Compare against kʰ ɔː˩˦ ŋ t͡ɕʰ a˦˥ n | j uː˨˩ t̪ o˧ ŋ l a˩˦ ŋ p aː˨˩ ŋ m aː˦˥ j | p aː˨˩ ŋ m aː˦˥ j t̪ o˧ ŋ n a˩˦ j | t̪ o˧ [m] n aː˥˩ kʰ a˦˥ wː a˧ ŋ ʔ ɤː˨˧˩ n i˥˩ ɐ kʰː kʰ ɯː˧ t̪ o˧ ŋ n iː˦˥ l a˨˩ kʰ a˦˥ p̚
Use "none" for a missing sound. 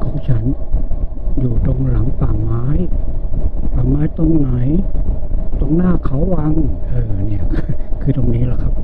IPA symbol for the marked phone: ŋ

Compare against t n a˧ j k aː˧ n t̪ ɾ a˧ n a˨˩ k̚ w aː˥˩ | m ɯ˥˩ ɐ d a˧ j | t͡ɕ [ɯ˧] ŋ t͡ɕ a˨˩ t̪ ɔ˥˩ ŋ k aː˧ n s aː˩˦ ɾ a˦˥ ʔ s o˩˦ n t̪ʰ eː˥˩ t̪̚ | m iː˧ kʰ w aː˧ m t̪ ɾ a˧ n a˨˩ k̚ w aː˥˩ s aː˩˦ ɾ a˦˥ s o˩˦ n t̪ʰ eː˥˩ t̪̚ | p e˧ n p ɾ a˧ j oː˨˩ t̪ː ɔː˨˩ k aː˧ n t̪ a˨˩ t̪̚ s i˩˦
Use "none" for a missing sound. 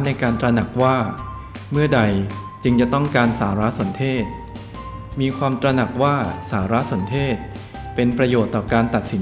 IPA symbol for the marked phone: ɯ˧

